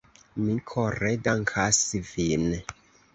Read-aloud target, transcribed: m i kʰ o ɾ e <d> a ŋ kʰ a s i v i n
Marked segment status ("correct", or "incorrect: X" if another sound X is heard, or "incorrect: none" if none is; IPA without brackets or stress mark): correct